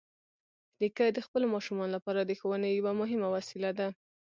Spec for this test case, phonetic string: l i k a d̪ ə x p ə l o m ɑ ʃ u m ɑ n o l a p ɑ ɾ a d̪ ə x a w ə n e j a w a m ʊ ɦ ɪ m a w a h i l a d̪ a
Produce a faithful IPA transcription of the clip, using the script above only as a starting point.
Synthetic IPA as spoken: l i k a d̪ ə x p ə l o m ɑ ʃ u m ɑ n o l a p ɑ ɾ a d̪ ə x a w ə n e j a w a m ʊ ɦ ɪ m a w a s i l a d̪ a